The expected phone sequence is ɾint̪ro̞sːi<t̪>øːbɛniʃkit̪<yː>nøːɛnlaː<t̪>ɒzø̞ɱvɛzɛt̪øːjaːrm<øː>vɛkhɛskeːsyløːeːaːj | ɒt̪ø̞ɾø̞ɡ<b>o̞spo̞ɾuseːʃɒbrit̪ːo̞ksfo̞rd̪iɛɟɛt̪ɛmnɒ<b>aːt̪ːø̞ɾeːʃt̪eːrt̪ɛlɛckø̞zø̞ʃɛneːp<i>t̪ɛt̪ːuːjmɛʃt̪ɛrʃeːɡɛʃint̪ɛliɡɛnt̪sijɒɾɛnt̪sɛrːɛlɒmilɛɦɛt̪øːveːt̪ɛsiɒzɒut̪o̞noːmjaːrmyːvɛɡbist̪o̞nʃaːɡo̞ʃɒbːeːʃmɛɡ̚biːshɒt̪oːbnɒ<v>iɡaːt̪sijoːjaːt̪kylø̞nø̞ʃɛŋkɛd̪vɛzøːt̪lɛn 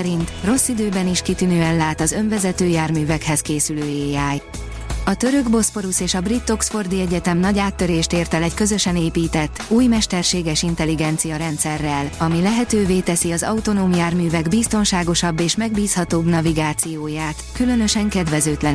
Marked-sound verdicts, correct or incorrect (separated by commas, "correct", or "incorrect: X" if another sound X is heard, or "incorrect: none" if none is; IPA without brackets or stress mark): incorrect: d̪, incorrect: y, correct, incorrect: yː, correct, incorrect: ɟ, incorrect: iː, correct